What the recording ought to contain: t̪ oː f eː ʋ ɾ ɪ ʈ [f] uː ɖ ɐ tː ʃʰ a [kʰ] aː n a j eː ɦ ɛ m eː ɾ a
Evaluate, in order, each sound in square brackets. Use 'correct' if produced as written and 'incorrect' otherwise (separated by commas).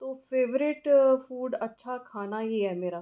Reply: correct, correct